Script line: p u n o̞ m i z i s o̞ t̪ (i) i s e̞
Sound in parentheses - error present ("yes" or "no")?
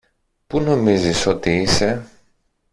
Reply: no